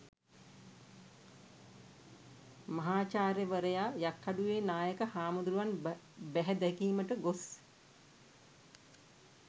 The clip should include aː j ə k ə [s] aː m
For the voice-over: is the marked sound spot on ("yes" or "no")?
no